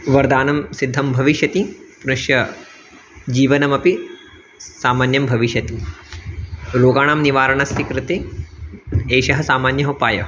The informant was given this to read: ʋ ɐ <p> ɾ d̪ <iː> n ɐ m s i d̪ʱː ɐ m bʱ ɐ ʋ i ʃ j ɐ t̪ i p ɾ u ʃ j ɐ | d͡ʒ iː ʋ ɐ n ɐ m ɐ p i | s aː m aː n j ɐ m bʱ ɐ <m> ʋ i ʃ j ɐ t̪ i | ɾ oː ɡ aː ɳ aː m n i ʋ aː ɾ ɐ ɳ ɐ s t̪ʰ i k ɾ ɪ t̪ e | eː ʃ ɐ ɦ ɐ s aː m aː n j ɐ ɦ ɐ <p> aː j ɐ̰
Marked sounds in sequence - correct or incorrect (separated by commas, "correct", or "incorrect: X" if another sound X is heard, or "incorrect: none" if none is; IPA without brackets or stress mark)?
incorrect: none, incorrect: aː, incorrect: none, correct